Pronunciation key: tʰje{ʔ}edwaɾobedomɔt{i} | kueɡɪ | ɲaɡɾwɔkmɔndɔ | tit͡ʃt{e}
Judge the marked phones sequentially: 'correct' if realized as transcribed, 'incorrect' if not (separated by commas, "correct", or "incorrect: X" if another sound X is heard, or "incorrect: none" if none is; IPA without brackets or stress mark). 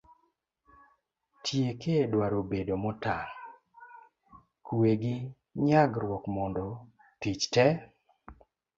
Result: incorrect: k, incorrect: a, incorrect: ɛ